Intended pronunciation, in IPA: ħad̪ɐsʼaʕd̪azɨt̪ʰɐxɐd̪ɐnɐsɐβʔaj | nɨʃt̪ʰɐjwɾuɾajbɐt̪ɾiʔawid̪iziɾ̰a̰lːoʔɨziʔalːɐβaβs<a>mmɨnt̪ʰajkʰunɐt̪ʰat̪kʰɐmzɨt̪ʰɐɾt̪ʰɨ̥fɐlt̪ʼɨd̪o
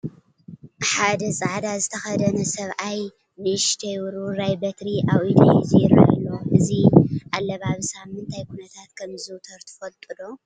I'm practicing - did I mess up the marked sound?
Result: no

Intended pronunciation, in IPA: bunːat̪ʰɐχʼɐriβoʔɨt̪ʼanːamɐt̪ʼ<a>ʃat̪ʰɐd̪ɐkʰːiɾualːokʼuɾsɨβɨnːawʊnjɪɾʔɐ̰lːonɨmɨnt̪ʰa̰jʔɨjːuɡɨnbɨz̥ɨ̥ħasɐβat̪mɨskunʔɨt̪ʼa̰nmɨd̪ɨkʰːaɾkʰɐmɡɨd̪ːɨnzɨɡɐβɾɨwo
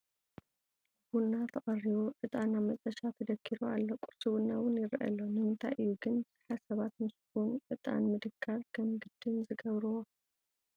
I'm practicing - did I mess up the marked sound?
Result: yes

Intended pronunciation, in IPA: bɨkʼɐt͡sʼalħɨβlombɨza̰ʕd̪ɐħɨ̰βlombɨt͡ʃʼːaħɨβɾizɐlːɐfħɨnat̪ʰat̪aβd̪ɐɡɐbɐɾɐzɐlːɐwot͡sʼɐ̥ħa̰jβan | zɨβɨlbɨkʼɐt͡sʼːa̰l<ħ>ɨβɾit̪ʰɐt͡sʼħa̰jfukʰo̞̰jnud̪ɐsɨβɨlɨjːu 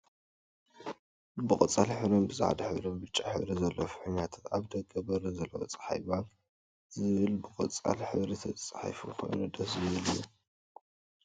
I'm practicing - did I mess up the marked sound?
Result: no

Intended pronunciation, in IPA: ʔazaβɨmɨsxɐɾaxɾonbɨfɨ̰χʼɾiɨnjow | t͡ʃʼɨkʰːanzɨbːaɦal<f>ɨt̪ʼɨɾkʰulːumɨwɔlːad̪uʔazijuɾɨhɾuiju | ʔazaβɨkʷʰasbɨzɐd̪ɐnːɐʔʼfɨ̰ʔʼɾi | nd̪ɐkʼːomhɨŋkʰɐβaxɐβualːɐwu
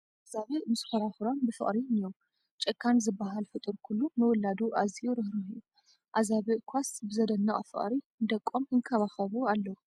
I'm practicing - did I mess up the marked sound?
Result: no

